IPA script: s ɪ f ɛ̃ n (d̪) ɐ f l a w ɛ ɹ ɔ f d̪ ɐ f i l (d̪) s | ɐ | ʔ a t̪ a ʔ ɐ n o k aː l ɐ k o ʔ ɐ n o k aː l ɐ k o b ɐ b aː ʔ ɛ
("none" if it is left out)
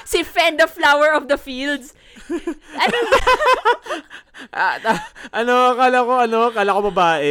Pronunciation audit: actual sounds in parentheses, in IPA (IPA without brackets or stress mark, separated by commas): d̪, d̪